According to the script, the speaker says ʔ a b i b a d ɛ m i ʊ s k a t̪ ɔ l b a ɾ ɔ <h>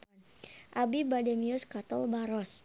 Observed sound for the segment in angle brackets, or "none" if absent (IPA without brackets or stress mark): s